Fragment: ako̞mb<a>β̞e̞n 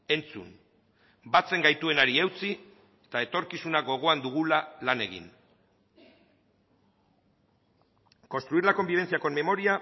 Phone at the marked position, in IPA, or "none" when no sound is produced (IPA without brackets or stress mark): i